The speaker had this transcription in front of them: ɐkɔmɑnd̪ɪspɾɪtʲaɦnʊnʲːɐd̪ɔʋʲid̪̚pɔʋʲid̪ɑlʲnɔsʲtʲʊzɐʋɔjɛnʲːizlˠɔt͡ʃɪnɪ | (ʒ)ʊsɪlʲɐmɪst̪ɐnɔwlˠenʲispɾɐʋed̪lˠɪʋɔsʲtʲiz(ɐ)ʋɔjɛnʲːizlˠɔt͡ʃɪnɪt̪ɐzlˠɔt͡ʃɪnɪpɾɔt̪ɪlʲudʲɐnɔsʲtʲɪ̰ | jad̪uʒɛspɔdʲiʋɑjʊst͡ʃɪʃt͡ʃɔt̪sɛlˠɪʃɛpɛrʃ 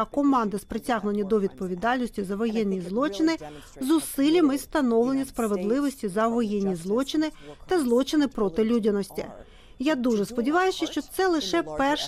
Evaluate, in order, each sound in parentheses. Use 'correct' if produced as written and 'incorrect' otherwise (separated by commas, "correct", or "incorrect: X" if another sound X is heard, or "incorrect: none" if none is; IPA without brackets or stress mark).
incorrect: z, correct